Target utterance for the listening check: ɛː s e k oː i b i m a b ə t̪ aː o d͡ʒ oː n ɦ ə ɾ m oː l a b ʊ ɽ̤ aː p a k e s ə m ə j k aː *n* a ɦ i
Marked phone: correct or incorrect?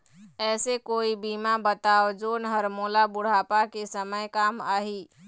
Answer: incorrect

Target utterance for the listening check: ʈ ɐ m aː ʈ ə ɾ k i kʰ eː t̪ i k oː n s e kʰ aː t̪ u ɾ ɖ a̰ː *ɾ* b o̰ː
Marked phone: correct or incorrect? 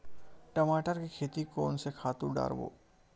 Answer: correct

